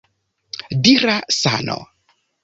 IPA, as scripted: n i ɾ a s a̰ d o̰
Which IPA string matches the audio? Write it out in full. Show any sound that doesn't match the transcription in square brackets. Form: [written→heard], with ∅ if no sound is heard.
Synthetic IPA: [n→d] i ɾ a s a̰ [d→n] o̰